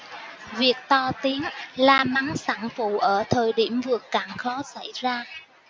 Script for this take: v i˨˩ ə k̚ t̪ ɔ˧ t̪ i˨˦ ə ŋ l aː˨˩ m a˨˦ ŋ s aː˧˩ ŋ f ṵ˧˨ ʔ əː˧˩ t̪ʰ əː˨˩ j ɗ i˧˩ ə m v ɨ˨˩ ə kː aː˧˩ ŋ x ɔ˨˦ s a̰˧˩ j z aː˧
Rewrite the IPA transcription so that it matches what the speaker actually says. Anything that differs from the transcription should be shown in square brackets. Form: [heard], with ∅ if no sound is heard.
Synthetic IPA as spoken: v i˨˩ ə k̚ t̪ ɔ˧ t̪ i˨˦ ə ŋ l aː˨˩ m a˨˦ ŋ s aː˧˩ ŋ f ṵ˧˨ ʔ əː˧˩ t̪ʰ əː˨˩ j ɗ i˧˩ ə m v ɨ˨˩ ə kː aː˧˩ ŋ x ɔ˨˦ s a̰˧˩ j z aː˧